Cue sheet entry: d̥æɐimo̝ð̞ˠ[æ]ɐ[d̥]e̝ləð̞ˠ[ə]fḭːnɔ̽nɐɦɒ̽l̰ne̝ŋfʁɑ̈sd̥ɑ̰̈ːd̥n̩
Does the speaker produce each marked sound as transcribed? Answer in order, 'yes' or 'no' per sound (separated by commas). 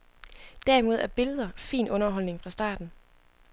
yes, no, no